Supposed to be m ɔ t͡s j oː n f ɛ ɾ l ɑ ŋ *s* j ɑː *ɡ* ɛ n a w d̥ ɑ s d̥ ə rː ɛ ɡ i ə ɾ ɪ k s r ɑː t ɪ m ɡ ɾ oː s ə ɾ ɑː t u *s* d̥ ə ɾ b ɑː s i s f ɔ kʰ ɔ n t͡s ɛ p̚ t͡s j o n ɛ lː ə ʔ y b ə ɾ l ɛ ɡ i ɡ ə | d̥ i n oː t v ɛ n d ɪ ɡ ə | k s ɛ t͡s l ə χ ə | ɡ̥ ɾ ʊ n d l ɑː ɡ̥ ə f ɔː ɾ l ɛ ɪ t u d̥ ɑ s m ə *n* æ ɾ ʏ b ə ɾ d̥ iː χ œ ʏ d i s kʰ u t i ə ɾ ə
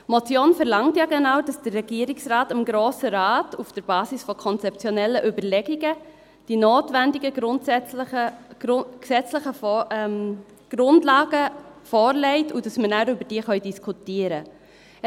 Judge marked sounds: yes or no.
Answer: no, yes, no, yes

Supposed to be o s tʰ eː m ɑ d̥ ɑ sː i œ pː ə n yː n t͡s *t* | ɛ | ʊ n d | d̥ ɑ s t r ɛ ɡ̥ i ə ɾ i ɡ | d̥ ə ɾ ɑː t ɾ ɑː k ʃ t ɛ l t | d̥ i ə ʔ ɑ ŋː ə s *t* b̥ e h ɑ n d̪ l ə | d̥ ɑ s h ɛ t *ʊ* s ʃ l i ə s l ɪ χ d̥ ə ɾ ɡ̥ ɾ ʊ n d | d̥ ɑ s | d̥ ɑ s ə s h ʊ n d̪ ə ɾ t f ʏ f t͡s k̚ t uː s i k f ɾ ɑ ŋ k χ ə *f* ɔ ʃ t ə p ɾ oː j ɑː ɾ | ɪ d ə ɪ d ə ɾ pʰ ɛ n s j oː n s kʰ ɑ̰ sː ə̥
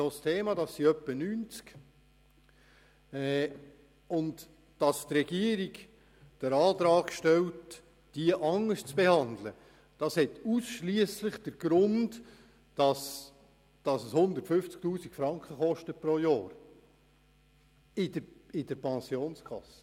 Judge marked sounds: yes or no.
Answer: no, no, no, no

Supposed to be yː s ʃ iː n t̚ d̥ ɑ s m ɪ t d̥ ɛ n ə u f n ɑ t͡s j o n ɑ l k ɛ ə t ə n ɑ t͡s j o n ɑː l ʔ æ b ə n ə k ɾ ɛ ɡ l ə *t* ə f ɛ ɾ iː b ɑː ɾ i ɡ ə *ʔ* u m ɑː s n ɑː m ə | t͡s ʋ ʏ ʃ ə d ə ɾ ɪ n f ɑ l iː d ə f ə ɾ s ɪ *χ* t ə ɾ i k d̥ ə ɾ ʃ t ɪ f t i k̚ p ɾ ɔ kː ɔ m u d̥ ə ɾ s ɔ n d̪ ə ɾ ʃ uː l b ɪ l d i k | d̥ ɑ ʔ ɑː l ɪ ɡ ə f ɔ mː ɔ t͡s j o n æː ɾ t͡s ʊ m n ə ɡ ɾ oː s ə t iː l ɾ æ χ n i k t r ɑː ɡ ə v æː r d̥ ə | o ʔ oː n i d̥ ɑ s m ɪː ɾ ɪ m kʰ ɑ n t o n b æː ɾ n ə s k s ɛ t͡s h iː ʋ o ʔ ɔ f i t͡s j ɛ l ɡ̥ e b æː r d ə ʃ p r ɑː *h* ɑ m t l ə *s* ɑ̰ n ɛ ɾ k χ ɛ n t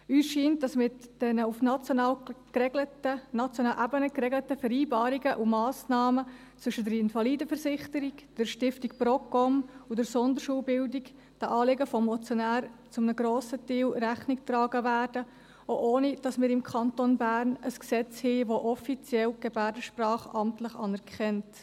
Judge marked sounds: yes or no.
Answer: yes, yes, yes, no, no

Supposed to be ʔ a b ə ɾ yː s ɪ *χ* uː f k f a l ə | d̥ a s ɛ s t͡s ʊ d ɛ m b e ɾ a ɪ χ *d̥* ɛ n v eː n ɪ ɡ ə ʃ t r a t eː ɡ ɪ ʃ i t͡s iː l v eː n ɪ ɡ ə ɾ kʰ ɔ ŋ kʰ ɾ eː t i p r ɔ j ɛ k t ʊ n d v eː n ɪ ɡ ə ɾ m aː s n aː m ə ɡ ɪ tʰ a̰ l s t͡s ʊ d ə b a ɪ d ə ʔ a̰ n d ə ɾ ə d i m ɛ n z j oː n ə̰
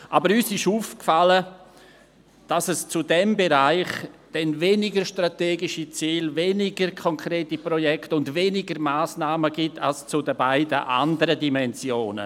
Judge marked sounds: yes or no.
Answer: no, yes

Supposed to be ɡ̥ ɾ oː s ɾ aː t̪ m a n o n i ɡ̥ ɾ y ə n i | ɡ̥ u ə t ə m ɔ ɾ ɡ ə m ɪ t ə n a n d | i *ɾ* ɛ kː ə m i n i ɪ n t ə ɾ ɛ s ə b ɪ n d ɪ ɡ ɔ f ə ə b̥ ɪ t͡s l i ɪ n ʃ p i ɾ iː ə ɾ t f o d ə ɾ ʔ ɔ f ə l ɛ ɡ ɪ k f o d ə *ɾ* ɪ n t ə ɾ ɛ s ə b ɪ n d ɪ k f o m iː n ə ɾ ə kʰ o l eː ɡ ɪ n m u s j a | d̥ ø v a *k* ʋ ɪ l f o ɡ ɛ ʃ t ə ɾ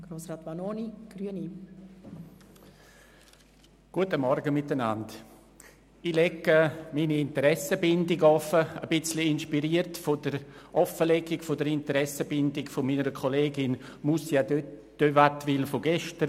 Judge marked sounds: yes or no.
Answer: no, yes, no

